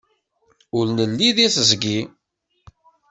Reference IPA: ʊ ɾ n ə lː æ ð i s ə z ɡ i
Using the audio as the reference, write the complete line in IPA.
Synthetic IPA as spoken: ʊ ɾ n ə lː i ð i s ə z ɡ i